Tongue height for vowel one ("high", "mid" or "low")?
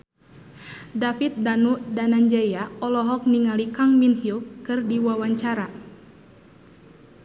low